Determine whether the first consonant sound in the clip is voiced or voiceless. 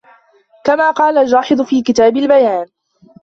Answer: voiceless